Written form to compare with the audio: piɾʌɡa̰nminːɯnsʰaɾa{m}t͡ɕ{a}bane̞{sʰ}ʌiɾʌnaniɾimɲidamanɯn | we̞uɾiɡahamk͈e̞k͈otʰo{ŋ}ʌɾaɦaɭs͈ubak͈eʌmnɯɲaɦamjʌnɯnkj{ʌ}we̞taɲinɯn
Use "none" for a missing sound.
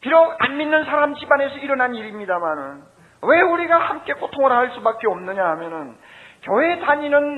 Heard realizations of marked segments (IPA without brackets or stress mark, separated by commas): m, i, sʰ, ŋ, ʌ